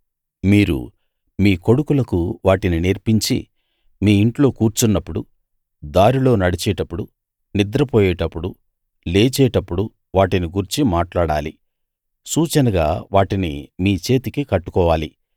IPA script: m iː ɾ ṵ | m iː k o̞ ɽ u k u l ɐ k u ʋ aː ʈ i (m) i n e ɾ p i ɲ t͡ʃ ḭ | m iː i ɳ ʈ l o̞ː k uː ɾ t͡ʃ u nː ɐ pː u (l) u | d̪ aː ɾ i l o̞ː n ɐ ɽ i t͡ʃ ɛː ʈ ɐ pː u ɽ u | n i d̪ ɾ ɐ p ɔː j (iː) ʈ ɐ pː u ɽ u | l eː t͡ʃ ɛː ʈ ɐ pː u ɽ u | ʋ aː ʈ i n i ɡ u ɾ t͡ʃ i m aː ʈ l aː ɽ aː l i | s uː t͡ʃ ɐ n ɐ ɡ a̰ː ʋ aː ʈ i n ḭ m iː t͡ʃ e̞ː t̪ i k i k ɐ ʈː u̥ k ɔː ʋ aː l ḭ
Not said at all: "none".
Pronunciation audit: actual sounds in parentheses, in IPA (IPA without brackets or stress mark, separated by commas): n, ɽ, ɛː